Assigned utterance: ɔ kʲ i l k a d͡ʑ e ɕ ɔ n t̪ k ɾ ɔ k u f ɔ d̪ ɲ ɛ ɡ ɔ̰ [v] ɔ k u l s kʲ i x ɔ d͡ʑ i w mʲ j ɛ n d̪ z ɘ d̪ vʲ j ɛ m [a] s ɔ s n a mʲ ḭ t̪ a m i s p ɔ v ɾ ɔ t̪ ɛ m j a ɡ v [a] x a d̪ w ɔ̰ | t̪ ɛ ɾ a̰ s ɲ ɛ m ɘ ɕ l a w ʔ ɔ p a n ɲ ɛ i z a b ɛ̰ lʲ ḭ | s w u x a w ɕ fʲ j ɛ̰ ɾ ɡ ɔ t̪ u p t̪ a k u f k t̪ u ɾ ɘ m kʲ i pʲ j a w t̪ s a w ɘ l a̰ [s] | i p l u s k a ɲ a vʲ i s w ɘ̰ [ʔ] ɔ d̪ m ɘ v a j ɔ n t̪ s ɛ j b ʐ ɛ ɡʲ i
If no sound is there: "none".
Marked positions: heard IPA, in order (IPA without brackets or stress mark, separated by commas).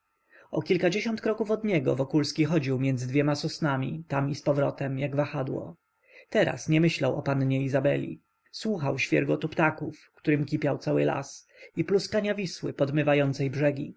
v, a, a, s, p